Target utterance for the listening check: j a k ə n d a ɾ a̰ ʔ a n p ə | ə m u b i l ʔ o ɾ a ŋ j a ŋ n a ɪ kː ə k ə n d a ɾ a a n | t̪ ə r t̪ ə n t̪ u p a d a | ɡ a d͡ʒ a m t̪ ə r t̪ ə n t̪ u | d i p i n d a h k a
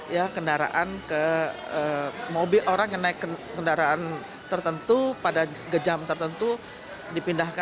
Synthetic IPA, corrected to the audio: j a k ə n d a ɾ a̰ ʔ a n k ə | ə m o b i l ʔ o ɾ a ŋ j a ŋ n a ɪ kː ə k ə n d a ɾ a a n | t̪ ə r t̪ ə n t̪ u p a d a | ɡ ə d͡ʒ a m t̪ ə r t̪ ə n t̪ u | d i p i n d a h k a